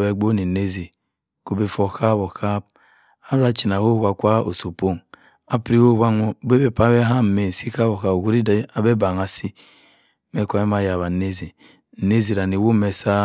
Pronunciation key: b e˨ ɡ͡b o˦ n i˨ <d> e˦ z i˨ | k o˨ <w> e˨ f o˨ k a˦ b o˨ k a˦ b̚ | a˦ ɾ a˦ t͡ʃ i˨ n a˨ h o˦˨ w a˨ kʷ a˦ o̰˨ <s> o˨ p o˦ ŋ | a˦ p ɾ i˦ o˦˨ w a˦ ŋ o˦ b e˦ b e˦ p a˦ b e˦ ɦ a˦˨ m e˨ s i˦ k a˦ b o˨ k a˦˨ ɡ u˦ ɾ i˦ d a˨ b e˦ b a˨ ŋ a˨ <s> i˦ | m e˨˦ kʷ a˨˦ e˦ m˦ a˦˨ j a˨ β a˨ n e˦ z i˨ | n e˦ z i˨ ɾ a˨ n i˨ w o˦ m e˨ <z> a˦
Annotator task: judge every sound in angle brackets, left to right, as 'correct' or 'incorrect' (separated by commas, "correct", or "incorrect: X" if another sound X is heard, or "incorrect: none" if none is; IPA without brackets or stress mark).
incorrect: n, incorrect: b, correct, correct, incorrect: s